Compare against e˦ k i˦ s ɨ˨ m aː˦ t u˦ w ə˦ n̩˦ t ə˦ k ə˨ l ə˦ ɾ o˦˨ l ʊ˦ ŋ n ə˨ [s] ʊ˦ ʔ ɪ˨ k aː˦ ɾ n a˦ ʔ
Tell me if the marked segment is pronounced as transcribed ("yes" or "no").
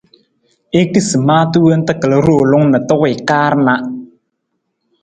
no